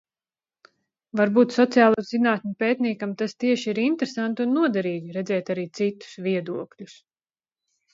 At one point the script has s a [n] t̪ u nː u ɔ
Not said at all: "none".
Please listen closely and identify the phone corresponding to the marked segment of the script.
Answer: n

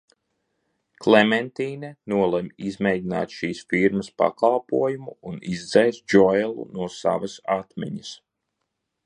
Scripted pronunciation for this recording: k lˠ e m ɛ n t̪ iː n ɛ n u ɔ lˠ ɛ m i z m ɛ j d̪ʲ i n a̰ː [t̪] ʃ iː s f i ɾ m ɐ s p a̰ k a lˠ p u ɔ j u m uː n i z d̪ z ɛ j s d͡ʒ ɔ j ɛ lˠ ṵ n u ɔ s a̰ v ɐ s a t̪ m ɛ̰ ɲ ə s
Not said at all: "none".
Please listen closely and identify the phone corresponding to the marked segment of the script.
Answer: t̪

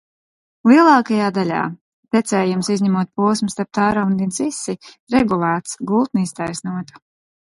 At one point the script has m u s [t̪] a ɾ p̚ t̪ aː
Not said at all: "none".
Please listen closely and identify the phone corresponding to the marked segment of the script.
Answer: t̪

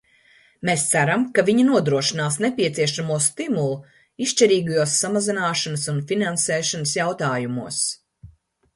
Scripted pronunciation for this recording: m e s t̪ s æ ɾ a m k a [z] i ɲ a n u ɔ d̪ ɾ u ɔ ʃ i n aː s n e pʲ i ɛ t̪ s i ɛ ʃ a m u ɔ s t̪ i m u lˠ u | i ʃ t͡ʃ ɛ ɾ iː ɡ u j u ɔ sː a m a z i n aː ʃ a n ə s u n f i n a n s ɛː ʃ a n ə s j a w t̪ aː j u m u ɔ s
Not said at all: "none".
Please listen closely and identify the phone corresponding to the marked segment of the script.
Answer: v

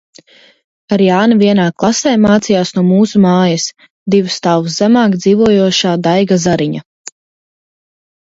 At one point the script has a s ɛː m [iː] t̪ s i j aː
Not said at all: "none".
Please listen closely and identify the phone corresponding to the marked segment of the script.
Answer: aː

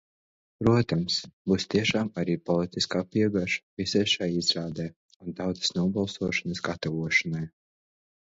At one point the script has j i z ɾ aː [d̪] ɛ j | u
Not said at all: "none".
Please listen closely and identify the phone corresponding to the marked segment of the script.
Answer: d̪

